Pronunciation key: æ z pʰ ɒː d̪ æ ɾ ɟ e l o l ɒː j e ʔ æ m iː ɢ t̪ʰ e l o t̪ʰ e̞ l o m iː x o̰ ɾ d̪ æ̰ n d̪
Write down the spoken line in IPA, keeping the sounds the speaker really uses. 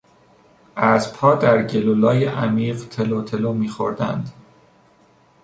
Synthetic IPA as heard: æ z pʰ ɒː d̪ æ ɾ ɟ e l o l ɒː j e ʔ æ m iː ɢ t̪ʰ e l o t̪ʰ e̞ l o m iː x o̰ ɾ d̪ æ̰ n d̪